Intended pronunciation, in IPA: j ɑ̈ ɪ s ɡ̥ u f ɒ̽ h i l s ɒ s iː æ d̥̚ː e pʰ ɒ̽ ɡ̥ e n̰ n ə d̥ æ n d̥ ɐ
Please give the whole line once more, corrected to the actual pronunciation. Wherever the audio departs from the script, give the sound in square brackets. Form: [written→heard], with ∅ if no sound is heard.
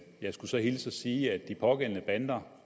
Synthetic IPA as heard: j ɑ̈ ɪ s ɡ̥ u [f→s] ɒ̽ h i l s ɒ s iː æ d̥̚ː [e→i] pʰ ɒ̽ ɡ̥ e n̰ n ə [d̥→b̥] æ n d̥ ɐ